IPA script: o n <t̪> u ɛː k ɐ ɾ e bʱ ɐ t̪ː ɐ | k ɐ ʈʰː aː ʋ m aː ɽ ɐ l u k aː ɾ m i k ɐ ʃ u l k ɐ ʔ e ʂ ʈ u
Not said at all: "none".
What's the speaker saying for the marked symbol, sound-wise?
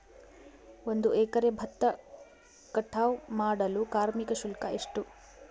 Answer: d̪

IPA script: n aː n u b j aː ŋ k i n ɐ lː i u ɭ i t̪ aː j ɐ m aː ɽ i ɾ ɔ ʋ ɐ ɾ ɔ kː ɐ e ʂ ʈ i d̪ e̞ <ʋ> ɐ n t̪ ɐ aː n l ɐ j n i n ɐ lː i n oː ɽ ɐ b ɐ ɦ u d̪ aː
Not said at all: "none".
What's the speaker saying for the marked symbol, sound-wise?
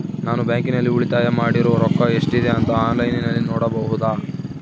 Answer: none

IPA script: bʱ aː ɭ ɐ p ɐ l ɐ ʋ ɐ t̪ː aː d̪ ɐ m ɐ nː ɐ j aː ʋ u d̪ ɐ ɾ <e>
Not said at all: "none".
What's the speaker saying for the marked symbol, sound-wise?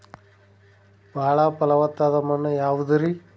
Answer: i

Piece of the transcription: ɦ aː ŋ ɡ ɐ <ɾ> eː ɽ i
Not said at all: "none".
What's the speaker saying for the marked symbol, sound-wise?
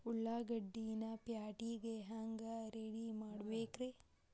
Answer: ɾ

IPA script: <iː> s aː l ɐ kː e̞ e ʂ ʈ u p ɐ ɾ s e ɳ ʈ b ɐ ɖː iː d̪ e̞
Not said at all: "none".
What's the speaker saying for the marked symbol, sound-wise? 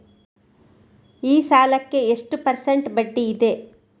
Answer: iː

